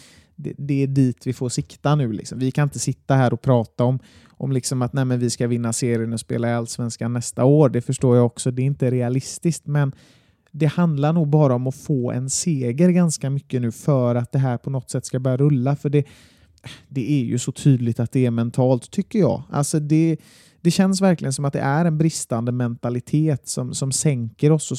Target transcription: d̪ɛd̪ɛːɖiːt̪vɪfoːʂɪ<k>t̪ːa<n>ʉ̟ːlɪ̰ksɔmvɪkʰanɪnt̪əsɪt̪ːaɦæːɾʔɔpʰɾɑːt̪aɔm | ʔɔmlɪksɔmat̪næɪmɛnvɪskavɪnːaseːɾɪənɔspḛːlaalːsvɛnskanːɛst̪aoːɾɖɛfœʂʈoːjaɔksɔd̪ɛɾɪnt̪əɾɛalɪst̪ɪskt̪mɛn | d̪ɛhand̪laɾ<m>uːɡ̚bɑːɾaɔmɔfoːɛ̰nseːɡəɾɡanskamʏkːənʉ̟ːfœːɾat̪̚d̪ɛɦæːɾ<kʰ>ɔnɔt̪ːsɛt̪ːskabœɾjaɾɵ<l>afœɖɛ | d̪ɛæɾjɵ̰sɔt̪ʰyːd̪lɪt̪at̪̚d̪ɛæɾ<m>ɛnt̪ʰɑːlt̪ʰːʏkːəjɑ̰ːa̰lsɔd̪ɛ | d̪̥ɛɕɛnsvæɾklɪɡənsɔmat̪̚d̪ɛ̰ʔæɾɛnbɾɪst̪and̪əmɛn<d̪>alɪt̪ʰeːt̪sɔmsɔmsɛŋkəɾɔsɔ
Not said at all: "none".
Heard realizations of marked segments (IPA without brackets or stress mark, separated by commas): k, n, ɳ, pʰ, lː, m, t̪